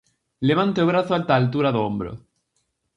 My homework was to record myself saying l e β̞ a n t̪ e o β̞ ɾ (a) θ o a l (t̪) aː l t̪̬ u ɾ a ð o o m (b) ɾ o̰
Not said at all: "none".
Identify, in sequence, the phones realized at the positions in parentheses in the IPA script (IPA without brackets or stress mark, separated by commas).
a, t̪, b